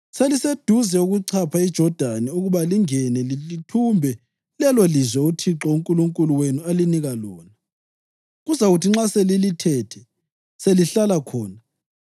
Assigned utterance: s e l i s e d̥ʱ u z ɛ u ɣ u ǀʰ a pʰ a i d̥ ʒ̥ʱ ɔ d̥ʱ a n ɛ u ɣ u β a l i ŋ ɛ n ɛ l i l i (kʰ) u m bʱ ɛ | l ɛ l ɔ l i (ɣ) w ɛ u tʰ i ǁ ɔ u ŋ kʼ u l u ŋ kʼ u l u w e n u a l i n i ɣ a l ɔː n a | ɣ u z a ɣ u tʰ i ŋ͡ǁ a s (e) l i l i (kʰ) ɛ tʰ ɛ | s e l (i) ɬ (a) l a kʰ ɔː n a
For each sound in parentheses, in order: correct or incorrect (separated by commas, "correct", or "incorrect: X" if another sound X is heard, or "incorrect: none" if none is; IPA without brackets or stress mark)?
incorrect: tʰ, incorrect: z, correct, incorrect: tʰ, correct, correct